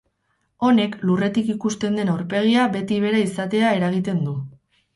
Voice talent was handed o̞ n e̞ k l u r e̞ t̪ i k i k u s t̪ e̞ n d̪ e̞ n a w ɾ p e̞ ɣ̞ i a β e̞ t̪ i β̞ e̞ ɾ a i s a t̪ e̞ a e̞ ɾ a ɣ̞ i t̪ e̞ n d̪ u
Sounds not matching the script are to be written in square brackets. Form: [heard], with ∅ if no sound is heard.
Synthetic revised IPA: o̞ n e̞ k l u r e̞ t̪ i k i k u s t̪ e̞ n d̪ e̞ n a w ɾ p e̞ ɣ̞ i a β e̞ t̪ i β̞ e̞ ɾ a i s a t̪ e̞ a e̞ ɾ a ɣ̞ i t̪ e̞ n d̪ u